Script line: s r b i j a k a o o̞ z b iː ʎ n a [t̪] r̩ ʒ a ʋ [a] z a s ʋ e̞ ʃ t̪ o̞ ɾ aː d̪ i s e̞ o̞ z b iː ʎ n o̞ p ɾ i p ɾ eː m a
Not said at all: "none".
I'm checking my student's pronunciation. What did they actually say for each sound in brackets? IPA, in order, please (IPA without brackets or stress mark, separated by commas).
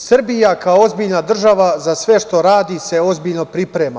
d̪, a